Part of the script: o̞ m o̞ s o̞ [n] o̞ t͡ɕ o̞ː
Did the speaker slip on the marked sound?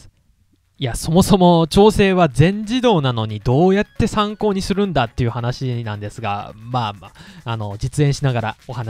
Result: yes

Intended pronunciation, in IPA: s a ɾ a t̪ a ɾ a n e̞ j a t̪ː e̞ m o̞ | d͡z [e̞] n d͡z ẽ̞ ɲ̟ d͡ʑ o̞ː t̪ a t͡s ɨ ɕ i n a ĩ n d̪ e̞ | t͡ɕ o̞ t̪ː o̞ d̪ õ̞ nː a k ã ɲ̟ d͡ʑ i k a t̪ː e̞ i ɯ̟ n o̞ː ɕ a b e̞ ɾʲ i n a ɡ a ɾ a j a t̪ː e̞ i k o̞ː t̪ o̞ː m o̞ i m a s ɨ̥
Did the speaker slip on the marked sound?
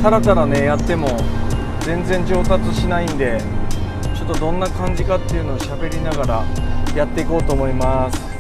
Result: yes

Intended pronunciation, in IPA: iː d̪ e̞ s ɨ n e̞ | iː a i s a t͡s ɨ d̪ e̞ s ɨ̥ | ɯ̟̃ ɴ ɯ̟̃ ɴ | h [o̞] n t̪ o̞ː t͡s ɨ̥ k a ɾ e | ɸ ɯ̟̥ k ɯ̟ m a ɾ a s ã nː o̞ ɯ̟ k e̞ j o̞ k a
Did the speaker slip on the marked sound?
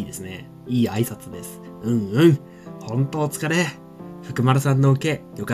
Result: yes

